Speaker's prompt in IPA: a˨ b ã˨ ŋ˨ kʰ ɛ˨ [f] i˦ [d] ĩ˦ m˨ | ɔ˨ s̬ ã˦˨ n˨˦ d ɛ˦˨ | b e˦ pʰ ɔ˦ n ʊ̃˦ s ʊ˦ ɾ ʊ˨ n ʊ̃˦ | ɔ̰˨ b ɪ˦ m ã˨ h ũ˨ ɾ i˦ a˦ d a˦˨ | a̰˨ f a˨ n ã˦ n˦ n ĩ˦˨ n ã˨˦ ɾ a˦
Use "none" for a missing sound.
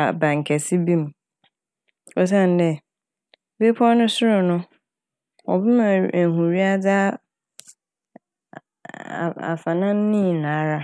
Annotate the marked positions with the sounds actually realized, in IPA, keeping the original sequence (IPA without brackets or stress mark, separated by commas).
s, b